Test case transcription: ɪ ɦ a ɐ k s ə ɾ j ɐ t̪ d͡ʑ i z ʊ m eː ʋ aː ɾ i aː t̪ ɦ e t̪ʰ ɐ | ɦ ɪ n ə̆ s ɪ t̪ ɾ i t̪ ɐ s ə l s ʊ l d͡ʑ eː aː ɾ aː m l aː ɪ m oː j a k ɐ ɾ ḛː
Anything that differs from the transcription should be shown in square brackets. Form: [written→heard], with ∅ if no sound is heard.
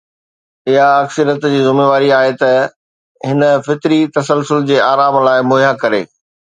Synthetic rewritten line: ɪ ɦ a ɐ k s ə ɾ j [ɐ→ə] t̪ d͡ʑ [i→iː] z ʊ m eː ʋ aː ɾ i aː [t̪→∅] ɦ e [t̪ʰ→t̪] ɐ | ɦ ɪ n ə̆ [s→f] ɪ t̪ ɾ i t̪ ɐ s ə l s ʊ l d͡ʑ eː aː ɾ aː m l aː ɪ m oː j a k ɐ ɾ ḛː